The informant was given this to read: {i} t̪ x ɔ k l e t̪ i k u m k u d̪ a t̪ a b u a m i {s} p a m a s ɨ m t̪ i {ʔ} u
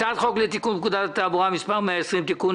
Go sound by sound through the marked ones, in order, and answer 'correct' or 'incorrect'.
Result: incorrect: a, correct, incorrect: k

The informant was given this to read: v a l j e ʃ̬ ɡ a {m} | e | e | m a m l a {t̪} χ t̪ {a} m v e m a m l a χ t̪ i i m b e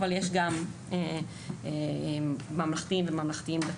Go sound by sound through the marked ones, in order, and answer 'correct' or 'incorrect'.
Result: correct, incorrect: none, incorrect: i

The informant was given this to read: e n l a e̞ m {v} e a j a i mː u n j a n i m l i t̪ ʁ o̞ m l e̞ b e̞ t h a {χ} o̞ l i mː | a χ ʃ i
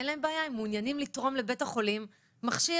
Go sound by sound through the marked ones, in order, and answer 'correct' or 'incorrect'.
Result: incorrect: b, correct

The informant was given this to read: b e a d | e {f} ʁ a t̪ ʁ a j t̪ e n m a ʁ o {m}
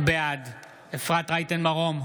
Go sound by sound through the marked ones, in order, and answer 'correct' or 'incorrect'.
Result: correct, correct

